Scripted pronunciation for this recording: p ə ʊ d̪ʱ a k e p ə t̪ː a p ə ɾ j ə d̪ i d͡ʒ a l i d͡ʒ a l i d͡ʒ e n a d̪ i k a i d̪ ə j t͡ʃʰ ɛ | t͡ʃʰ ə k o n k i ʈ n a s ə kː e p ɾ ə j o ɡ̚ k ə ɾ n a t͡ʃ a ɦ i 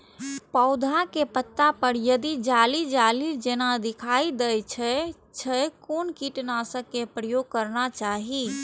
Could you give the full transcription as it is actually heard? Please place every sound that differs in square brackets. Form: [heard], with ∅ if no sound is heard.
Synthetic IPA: p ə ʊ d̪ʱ a k e p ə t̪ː a p ə ɾ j ə d̪ i d͡ʒ a l i d͡ʒ a l i d͡ʒ e n a d̪ i [kʰ] a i d̪ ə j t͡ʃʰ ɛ | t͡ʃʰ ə k o n k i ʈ n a s ə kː e p ɾ ə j o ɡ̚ k ə ɾ n a t͡ʃ a ɦ i